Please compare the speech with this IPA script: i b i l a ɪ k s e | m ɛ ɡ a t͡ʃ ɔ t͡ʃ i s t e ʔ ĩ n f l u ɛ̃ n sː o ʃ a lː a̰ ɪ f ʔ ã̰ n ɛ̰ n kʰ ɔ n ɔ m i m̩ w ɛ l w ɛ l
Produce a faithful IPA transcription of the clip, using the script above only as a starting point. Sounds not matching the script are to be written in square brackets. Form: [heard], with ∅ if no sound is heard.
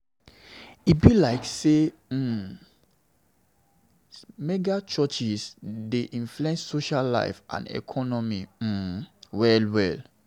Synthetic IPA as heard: i b i l a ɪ k s e | m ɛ ɡ a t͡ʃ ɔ t͡ʃ i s [d] e ʔ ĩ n f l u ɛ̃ n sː o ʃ a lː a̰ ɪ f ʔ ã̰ n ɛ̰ [∅] kʰ ɔ n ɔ m i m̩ w ɛ l w ɛ l